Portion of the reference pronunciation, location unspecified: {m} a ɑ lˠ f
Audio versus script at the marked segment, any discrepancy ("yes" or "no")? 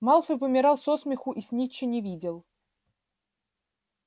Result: no